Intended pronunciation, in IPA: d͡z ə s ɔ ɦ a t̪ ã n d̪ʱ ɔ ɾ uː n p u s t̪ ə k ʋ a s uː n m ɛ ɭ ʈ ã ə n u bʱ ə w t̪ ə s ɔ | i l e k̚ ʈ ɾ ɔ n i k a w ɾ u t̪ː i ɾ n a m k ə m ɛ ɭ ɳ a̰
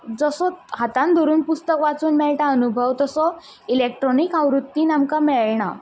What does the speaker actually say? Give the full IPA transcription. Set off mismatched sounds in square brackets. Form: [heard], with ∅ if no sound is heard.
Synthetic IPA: d͡z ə s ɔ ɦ a t̪ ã n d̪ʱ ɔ ɾ uː n p u s t̪ ə k ʋ a [t͡s] uː n m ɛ ɭ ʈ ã ə n u bʱ ə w t̪ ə s ɔ | i l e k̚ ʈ ɾ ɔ n i k a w ɾ u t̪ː i [∅] n a m k [a] m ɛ ɭ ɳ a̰